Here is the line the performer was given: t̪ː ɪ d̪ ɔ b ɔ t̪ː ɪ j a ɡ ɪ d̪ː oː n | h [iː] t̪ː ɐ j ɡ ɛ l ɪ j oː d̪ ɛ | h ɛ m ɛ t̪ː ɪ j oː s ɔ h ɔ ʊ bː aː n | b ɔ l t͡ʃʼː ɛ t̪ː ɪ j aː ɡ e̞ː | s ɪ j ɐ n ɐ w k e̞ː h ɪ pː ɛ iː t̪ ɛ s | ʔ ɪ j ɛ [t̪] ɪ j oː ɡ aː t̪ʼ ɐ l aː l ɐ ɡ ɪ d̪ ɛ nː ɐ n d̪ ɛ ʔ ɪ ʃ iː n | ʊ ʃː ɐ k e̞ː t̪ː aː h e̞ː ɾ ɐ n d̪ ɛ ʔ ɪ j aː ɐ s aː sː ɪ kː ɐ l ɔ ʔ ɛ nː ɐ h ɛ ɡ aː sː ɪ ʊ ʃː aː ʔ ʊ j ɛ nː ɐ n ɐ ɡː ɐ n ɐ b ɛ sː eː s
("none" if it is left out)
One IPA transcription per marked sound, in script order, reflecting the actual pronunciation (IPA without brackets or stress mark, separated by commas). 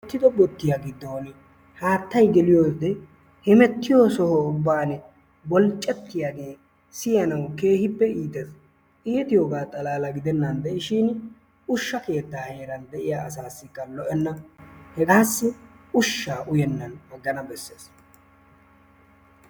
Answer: aː, t̪